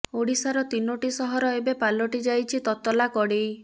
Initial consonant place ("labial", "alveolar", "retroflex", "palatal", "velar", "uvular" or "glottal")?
retroflex